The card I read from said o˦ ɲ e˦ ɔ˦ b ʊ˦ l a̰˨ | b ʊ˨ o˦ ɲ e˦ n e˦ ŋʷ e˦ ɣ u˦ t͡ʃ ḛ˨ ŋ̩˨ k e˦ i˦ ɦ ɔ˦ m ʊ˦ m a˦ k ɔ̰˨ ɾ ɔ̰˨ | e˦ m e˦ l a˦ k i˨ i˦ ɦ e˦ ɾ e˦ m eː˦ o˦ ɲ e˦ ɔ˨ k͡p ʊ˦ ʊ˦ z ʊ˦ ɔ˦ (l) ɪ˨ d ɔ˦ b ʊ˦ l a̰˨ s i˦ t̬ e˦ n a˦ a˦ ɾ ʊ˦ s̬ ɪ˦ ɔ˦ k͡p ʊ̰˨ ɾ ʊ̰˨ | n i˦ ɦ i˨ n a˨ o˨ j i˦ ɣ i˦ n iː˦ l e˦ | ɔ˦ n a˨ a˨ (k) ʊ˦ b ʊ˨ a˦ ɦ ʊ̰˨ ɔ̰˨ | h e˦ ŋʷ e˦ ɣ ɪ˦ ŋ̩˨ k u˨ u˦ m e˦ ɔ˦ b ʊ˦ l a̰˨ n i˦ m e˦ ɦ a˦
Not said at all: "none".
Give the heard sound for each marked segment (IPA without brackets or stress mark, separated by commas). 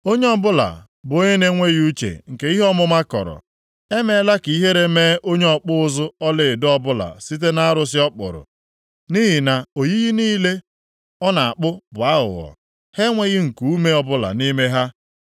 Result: l, k͡p